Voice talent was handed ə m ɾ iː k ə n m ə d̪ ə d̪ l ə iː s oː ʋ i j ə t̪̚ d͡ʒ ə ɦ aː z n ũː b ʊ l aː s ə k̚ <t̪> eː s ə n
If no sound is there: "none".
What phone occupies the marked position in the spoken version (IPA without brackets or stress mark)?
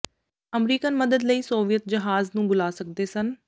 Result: d̪